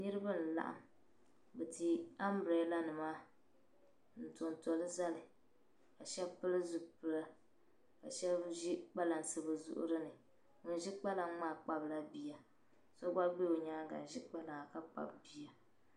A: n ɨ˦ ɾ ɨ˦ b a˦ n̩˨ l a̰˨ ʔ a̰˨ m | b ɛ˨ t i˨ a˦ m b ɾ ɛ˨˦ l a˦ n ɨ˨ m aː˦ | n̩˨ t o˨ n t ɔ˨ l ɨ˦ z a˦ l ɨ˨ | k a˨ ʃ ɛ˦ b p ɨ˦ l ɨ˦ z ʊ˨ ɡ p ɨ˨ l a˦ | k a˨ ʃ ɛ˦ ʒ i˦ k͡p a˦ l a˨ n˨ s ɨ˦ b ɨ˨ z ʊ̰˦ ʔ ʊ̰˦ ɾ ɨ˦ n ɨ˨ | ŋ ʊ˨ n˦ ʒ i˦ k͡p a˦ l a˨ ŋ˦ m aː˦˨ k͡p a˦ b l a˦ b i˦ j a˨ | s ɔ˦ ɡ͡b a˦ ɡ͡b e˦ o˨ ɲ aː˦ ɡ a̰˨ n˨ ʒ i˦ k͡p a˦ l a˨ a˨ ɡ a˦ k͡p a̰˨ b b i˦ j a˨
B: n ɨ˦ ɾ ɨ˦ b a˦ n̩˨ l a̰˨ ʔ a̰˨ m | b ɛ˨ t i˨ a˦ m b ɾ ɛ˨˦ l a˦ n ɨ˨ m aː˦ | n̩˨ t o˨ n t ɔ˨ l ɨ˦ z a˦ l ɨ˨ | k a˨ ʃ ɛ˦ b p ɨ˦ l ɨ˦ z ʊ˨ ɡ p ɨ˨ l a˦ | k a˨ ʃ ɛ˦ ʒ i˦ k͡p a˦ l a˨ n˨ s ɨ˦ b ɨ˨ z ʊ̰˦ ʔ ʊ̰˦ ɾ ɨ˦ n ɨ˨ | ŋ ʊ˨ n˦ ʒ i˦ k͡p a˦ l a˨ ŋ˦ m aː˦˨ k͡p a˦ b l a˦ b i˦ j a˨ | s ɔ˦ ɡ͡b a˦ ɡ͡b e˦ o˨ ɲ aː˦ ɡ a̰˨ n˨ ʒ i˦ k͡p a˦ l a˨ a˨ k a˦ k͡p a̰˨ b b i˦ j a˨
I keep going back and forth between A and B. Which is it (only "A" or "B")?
B